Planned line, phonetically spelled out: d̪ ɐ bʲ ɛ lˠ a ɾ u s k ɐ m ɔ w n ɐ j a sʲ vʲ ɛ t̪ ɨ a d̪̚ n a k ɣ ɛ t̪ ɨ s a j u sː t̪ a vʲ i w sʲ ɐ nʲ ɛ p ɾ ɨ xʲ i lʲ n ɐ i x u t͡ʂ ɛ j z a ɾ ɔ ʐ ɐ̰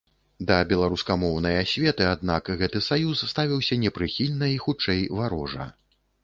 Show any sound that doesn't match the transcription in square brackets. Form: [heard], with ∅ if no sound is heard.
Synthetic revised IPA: d̪ ɐ bʲ ɛ lˠ a ɾ u s k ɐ m ɔ w n ɐ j a sʲ vʲ ɛ t̪ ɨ a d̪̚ n a k ɣ ɛ t̪ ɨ s a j u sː t̪ a vʲ i w sʲ ɐ nʲ ɛ p ɾ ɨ xʲ i lʲ n ɐ i x u t͡ʂ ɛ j [v] a ɾ ɔ ʐ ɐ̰